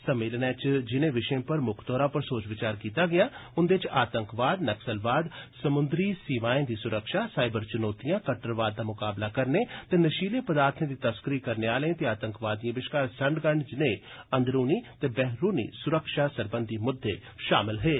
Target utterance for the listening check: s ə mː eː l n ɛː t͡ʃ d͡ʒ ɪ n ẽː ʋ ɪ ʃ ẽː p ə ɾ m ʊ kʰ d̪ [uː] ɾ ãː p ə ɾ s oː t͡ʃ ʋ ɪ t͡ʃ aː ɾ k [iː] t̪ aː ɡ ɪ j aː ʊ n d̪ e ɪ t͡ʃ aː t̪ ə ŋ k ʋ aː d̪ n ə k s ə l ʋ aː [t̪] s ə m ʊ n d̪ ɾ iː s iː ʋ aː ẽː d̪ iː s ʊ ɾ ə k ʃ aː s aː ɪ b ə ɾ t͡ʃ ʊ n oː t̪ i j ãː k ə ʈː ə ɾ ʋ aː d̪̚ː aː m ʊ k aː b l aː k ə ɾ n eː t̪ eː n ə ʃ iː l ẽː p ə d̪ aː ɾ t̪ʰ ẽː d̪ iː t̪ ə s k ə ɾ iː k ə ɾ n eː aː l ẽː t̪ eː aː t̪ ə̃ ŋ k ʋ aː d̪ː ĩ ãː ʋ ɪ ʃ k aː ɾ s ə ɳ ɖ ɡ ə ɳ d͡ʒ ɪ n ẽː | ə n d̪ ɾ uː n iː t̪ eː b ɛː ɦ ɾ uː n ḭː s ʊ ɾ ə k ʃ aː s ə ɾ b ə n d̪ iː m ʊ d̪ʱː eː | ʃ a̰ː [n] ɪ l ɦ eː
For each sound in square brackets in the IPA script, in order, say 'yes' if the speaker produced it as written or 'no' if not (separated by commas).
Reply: no, yes, no, no